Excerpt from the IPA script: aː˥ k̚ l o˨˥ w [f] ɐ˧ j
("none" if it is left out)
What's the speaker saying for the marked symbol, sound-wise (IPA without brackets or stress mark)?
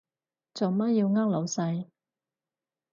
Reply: s